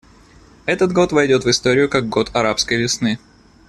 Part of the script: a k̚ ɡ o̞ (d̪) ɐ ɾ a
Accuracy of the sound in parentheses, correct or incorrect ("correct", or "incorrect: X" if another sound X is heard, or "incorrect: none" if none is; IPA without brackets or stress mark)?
incorrect: t̪